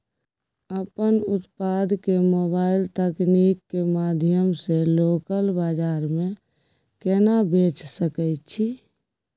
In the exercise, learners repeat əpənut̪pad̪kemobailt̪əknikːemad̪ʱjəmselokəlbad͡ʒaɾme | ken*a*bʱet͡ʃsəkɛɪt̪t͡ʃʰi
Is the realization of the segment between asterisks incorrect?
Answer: no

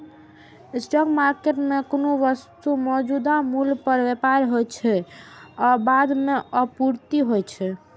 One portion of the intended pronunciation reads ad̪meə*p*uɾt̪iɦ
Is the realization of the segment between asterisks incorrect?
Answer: no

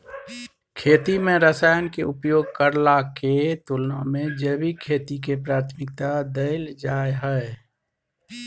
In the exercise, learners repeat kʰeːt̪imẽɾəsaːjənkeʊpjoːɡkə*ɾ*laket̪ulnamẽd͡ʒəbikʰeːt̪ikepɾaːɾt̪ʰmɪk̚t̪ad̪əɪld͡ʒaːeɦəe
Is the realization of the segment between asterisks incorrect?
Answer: no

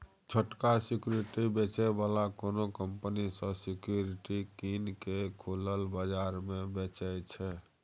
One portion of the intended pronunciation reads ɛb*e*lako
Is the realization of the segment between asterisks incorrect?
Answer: yes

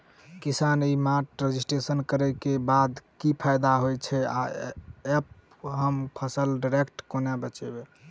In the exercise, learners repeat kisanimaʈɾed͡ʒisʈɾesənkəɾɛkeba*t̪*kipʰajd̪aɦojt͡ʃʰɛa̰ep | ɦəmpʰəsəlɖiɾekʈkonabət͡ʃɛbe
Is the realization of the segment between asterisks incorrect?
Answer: yes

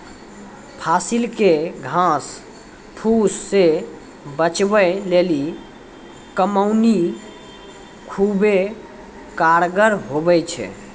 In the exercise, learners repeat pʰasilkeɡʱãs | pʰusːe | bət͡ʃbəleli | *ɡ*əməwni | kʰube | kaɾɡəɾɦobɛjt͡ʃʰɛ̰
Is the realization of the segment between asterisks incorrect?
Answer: yes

